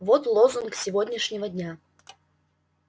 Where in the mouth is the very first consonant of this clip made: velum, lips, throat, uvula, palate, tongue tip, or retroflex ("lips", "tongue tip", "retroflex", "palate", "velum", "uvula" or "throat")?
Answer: lips